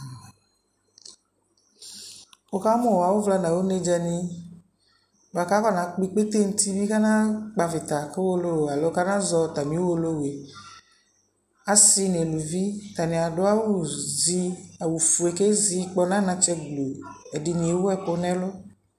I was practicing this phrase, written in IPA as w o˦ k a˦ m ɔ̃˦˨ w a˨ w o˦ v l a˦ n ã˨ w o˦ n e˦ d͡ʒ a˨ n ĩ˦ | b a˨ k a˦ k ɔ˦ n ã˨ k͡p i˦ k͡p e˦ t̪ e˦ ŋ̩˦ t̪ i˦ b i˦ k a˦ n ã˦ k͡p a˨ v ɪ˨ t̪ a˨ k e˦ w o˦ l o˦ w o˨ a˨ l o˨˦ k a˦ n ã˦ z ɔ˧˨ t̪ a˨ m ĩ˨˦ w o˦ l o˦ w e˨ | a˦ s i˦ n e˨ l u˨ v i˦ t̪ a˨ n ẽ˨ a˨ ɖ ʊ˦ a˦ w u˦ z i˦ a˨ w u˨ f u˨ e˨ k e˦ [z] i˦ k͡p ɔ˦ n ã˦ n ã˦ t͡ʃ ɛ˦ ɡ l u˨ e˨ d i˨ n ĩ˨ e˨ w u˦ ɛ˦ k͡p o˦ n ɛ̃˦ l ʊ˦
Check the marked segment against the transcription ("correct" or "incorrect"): correct